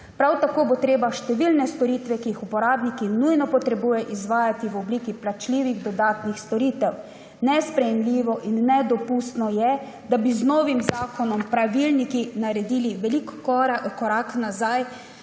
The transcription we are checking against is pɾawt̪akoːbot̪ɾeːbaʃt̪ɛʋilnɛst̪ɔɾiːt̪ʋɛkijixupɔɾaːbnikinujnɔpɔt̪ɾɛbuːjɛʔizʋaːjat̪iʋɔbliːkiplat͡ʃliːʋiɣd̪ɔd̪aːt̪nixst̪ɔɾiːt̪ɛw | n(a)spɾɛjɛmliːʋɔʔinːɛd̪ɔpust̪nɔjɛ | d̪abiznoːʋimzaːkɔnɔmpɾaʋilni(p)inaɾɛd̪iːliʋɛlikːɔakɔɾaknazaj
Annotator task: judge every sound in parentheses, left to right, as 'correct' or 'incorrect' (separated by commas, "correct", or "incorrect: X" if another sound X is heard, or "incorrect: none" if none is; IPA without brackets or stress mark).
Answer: incorrect: ɛ, incorrect: k